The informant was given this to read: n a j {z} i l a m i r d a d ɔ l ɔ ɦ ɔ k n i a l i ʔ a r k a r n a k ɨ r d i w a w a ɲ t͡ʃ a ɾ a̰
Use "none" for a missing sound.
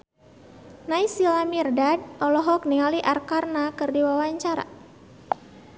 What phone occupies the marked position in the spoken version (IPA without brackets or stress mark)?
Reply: s